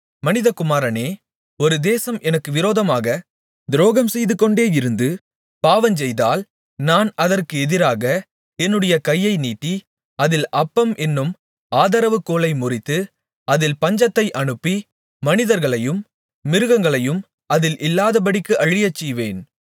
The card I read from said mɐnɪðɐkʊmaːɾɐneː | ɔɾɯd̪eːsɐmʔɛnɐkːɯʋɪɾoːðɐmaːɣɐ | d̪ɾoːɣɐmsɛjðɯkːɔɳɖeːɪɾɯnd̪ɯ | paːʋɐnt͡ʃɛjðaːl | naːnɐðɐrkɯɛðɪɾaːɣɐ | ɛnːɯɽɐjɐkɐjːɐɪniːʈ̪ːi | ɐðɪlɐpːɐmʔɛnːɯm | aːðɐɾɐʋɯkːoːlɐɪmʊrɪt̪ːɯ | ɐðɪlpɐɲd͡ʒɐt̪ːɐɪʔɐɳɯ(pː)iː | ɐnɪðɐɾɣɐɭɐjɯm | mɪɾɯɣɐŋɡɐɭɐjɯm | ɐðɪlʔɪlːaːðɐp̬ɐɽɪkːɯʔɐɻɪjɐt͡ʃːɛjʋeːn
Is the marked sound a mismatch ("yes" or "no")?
no